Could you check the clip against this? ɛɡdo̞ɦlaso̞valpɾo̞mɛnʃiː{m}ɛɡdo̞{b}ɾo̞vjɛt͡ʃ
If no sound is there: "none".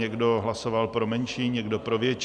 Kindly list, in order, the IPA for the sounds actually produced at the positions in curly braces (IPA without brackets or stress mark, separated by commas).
ɲ, p